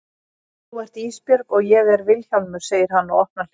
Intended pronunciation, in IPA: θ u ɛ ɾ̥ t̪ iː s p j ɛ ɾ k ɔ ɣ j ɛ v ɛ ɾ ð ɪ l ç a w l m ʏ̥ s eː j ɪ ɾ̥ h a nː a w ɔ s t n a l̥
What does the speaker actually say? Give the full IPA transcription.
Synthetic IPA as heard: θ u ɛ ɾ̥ t̪ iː s p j œ ɾ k ɔ ɣ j ɛ ɣ ɛ ɾ v ɪ l ç a w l m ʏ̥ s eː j ɪ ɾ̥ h a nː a w ɔ h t n a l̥